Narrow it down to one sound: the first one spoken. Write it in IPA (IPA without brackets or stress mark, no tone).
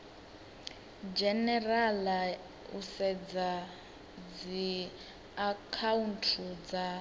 d͡ʒ